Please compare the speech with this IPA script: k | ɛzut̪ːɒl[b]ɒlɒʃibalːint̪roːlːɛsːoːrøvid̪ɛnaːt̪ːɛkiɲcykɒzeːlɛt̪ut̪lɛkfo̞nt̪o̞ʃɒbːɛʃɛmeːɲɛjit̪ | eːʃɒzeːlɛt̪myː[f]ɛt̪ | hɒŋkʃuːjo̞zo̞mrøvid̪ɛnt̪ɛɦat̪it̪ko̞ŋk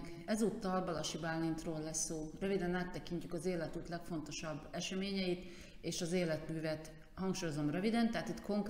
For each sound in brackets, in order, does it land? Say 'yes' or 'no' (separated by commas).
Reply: yes, no